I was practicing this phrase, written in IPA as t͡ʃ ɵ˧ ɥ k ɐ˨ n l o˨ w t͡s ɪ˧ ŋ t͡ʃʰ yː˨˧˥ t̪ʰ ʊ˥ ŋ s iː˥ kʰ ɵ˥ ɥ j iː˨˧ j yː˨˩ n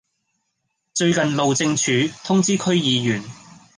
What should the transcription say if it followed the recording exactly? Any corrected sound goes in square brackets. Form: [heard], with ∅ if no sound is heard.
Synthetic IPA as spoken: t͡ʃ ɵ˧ ɥ k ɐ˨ n l o˨ w t͡s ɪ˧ ŋ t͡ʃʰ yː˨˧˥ t̪ʰ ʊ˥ ŋ [t͡s] iː˥ kʰ ɵ˥ ɥ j iː˨˧ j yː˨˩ n